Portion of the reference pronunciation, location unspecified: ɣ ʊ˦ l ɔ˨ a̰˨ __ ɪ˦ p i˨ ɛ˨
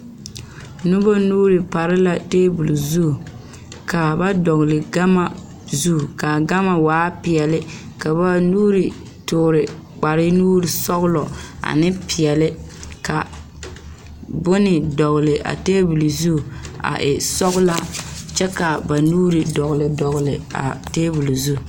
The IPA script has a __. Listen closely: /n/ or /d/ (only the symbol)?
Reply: n